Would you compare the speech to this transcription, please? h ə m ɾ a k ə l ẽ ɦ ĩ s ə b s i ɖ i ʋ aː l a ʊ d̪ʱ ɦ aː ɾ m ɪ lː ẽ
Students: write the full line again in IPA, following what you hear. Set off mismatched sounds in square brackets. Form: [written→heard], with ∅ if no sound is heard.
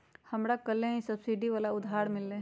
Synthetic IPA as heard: h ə m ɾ a k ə l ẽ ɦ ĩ s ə b s i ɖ i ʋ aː l a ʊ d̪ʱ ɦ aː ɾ m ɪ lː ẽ